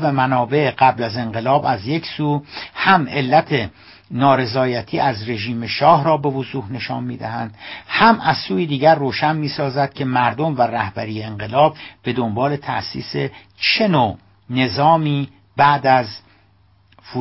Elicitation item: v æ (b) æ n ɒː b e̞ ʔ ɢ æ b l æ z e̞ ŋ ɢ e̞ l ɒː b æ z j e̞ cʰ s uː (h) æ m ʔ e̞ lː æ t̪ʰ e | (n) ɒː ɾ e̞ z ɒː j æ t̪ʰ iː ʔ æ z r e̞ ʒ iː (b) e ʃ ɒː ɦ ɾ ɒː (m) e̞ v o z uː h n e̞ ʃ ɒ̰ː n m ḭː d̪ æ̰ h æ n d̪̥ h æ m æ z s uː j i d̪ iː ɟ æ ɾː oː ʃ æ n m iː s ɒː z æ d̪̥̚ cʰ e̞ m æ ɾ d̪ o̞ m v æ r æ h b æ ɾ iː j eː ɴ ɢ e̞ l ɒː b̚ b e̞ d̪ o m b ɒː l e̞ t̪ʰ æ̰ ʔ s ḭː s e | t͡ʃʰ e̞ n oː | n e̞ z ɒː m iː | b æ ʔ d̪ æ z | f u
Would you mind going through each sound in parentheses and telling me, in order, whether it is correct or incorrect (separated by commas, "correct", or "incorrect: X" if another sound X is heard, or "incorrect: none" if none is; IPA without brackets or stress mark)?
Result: incorrect: m, correct, correct, incorrect: m, incorrect: b